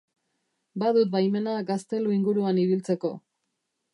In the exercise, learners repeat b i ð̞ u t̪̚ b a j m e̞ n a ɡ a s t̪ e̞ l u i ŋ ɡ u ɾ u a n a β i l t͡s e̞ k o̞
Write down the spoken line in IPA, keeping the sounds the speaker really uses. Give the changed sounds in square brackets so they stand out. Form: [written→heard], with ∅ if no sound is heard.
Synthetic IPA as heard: b [i→a] ð̞ u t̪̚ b a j m e̞ n a ɡ a s t̪ e̞ l u i ŋ ɡ u ɾ u a n [a→i] β i l t͡s e̞ k o̞